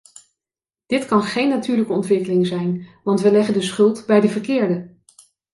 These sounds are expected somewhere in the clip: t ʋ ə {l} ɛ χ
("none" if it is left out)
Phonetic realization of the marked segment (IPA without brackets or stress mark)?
l